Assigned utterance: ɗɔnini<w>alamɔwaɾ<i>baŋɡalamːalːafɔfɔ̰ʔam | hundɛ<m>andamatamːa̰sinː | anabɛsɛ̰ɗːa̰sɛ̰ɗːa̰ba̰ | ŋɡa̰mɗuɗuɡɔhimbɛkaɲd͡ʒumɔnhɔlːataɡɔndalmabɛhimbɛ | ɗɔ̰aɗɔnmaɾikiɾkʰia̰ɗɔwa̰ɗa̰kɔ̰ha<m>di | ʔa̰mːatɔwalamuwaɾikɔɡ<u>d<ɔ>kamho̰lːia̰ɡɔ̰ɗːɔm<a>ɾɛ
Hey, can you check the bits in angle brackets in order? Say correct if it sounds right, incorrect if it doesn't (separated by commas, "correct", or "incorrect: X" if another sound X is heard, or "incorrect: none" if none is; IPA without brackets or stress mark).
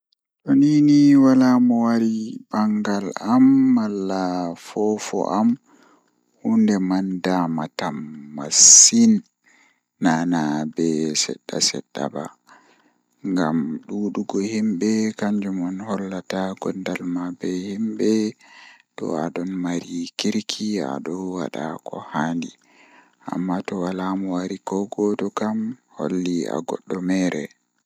correct, correct, correct, incorrect: n, incorrect: ɔ, correct, incorrect: ɛ